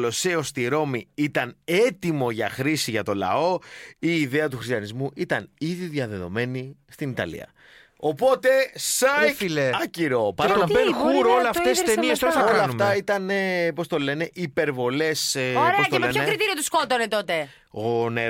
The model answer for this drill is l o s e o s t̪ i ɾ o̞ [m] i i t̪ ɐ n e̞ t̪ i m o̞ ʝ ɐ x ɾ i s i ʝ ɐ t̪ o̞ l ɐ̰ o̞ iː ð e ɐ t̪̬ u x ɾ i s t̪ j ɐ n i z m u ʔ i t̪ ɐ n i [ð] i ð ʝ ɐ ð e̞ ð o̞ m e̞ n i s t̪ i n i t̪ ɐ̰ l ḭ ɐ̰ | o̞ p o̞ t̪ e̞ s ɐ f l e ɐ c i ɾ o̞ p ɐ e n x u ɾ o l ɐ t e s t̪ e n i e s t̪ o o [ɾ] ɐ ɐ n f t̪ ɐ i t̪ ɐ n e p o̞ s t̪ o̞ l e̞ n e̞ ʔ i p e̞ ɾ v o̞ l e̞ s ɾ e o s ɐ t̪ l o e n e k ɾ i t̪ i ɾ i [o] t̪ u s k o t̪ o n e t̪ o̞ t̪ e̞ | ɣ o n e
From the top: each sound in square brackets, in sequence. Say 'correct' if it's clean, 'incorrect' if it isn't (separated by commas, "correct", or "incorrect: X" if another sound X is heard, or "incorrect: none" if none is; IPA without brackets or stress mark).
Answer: correct, correct, incorrect: l, correct